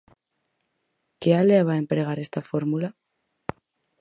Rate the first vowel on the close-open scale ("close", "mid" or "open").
mid